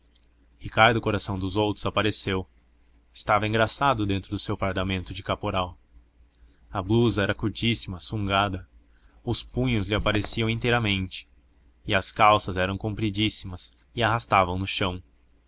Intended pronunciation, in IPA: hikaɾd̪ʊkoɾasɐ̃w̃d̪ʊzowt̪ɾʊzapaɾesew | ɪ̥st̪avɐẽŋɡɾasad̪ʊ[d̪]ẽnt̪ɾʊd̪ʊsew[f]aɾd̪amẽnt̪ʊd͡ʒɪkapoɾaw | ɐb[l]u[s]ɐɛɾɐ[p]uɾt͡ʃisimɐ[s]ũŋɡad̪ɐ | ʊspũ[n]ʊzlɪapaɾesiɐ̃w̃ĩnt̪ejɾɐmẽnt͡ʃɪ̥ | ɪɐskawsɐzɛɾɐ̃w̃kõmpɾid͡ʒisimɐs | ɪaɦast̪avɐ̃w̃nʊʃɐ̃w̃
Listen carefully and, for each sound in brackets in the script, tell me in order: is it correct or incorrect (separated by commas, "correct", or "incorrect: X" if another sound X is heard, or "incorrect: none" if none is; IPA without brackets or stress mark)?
correct, correct, correct, incorrect: z, incorrect: k, correct, incorrect: ɲ